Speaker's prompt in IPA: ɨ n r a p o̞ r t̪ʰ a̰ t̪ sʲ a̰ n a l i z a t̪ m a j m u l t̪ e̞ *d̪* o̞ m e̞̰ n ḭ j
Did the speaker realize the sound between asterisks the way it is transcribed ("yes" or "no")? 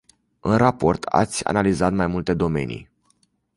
yes